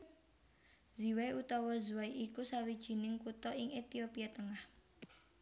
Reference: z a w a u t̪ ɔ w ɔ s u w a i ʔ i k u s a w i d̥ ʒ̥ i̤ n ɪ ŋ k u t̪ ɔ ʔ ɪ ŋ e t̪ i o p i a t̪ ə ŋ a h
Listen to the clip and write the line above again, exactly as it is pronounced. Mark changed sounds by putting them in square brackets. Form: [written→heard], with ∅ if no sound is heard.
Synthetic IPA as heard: z [a→i] w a u t̪ ɔ w ɔ [s→z] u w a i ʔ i k u s a w i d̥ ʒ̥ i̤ n ɪ ŋ k u t̪ ɔ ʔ ɪ ŋ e t̪ i o p i a t̪ ə ŋ a h